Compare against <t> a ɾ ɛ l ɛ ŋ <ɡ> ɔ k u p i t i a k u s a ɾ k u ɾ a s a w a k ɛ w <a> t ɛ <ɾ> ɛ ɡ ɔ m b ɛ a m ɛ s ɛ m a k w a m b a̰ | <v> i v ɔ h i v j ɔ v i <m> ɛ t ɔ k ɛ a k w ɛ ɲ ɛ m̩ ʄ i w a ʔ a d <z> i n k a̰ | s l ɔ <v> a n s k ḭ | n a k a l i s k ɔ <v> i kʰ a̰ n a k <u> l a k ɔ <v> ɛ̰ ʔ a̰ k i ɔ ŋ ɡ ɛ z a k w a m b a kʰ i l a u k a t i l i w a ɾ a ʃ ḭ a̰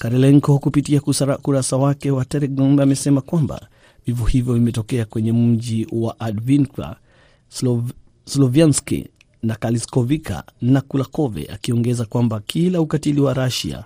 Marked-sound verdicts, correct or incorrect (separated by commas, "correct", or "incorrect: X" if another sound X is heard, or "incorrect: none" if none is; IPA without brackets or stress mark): incorrect: k, incorrect: k, correct, correct, correct, correct, incorrect: v, correct, correct, correct, correct